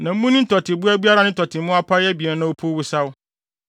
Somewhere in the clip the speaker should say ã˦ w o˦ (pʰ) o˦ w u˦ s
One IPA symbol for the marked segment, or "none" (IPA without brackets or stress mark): pʰ